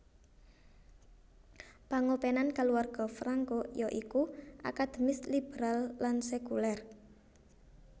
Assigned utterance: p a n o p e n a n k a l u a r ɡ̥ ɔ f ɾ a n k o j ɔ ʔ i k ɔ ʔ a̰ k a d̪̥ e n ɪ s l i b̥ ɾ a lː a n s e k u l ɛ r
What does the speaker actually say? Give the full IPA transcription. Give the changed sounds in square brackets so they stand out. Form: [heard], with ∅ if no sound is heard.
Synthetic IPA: p a [ŋ] o p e n a n k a l u a r ɡ̥ ɔ f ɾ a [ŋ] k o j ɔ ʔ i k [u] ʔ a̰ k a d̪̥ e [m] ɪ s l i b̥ ɾ a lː a n s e k u l ɛ r